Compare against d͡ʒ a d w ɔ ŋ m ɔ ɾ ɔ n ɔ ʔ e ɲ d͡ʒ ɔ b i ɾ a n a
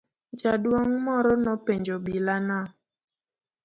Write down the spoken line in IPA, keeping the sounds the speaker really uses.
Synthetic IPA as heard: d͡ʒ a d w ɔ ŋ m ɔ ɾ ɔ n ɔ p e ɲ d͡ʒ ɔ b i l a n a